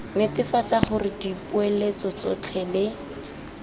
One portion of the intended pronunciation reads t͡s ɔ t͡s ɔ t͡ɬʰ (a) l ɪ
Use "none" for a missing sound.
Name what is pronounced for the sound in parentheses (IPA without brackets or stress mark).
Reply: ɛ